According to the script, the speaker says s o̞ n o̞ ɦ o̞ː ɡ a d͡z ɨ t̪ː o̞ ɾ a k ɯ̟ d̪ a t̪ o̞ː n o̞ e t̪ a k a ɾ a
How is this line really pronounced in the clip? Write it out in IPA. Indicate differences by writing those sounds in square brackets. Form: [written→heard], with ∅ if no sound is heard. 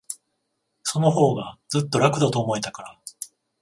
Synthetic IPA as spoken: s o̞ n o̞ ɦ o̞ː ɡ a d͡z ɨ t̪ː o̞ ɾ a k ɯ̟ d̪ a t̪ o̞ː [n→m] o̞ e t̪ a k a ɾ a